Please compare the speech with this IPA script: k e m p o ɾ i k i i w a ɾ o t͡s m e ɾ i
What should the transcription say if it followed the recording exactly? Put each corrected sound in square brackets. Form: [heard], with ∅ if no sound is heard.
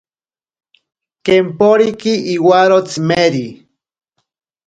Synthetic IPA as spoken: k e m p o ɾ i k i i w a ɾ o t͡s m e ɾ i